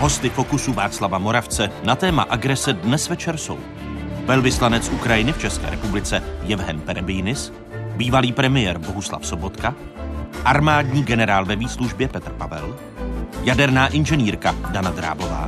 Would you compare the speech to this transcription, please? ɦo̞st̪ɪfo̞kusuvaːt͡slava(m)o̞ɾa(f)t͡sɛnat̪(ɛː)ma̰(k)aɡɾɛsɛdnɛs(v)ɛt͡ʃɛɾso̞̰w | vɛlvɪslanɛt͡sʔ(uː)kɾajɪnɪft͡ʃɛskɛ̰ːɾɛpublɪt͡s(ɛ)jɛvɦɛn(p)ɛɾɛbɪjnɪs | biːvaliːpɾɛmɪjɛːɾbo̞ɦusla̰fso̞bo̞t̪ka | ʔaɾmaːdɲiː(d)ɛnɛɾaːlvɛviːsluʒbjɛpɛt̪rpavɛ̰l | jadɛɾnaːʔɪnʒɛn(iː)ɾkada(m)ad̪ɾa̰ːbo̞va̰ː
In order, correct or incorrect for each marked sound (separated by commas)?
correct, correct, correct, incorrect, correct, incorrect, correct, correct, incorrect, correct, incorrect